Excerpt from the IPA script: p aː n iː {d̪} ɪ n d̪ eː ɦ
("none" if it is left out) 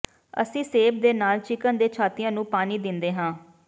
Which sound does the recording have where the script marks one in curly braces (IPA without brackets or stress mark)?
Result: d̪